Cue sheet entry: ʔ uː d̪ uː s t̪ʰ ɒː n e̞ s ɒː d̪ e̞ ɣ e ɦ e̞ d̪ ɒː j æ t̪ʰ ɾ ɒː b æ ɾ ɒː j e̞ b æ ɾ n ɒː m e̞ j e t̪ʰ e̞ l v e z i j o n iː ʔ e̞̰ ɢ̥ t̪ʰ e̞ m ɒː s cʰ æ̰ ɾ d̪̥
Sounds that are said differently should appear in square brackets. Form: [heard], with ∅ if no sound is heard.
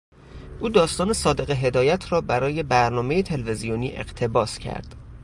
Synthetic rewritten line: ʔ uː d̪ [ɒː] s [t̪] ɒː n e̞ s ɒː d̪ e̞ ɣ e ɦ e̞ d̪ ɒː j æ t̪ʰ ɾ ɒː b æ ɾ ɒː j e̞ b æ ɾ n ɒː m e̞ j e t̪ʰ e̞ l v e z i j o n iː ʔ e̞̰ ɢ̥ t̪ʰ e̞ [b] ɒː s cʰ æ̰ ɾ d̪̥

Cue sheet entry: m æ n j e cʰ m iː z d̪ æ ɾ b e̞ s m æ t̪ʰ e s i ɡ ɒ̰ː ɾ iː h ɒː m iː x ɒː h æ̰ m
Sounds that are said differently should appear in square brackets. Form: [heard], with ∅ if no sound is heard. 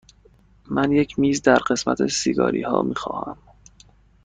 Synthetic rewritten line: m æ n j e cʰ m iː z d̪ æ ɾ [ɢ] e̞ s m æ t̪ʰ e s i ɡ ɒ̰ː ɾ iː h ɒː m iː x ɒː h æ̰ m

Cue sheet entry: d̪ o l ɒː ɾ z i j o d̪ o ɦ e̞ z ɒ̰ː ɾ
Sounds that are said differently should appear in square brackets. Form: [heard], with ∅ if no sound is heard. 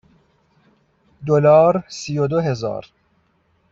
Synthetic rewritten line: d̪ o l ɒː ɾ [s] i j o d̪ o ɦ e̞ z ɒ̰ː ɾ

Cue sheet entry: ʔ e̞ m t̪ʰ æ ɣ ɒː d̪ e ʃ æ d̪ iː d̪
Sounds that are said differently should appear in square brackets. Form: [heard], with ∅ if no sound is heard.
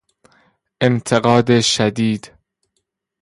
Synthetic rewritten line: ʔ e̞ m t̪ʰ [e] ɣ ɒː d̪ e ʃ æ d̪ iː d̪

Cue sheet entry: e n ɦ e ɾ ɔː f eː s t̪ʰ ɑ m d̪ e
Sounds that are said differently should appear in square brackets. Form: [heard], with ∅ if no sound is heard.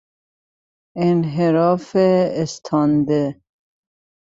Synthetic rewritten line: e n ɦ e ɾ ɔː f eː s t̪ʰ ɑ [n] d̪ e

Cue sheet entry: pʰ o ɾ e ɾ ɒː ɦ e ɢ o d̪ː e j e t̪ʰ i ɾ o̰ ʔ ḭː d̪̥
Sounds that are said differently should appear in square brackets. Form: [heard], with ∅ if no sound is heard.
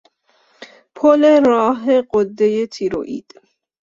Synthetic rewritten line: pʰ o [l] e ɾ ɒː ɦ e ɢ o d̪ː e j e t̪ʰ i ɾ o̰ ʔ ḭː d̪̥

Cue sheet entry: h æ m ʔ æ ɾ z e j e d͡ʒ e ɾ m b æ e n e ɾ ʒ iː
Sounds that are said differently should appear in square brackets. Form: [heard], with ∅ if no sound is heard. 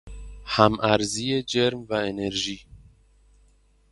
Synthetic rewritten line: h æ m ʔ æ ɾ z [i] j e d͡ʒ e ɾ m [v] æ e n e ɾ ʒ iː

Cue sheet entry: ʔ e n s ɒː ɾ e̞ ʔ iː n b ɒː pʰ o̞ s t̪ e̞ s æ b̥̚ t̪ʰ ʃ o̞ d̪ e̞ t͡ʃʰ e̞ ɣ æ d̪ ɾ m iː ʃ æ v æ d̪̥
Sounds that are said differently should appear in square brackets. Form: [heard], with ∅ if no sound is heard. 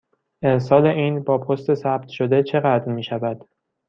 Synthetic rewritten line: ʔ e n s ɒː [l] e̞ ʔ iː n b ɒː pʰ o̞ s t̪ e̞ s æ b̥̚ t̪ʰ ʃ o̞ d̪ e̞ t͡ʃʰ e̞ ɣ æ d̪ ɾ m iː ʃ æ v æ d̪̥

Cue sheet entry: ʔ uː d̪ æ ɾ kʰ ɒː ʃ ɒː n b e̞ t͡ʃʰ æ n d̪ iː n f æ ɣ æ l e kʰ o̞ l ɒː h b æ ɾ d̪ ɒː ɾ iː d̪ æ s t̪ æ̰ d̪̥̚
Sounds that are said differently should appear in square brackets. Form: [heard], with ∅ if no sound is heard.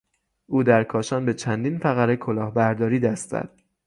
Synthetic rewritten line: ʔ uː d̪ æ ɾ kʰ ɒː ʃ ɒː n b e̞ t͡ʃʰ æ n d̪ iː n f æ ɣ æ [ɾ] e kʰ o̞ l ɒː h b æ ɾ d̪ ɒː ɾ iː d̪ æ s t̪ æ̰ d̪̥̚

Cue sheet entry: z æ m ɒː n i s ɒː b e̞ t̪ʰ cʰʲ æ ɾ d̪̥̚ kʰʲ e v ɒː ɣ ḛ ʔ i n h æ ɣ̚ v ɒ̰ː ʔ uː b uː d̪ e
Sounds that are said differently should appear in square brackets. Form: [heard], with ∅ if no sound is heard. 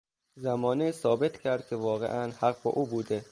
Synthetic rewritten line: z æ m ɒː n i s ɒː b e̞ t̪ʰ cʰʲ æ ɾ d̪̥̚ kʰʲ e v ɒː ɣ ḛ ʔ [æ] n h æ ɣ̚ [b] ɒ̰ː ʔ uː b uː d̪ e

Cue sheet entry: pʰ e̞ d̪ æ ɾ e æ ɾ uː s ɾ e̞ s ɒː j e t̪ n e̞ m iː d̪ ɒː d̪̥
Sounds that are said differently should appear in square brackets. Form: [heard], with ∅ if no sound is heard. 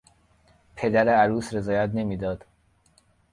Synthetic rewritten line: pʰ e̞ d̪ æ ɾ e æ ɾ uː s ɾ e̞ [z] ɒː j [æ] t̪ n e̞ m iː d̪ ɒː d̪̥

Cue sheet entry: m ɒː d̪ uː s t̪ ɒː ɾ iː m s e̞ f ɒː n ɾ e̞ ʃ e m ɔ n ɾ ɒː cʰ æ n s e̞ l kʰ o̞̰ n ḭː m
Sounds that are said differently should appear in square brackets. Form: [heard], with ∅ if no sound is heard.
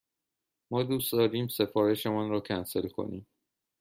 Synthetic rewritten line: m ɒː d̪ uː s [d̪] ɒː ɾ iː m s e̞ f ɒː [∅] ɾ e̞ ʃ e m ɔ n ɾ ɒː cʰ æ n s e̞ l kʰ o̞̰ n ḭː m

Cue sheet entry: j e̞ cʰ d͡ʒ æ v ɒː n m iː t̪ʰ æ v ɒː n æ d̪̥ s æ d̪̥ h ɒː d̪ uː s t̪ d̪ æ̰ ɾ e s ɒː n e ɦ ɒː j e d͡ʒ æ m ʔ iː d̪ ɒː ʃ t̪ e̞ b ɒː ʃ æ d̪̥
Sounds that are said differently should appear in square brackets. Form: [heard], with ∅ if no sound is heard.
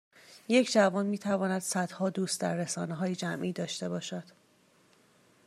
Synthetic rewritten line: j e̞ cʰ d͡ʒ æ v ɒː n m iː t̪ʰ æ v ɒː n æ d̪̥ s æ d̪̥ h ɒː d̪ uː s t̪ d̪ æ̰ [ɾː] e s ɒː n e ɦ ɒː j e d͡ʒ æ m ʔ iː d̪ ɒː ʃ t̪ e̞ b ɒː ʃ æ d̪̥

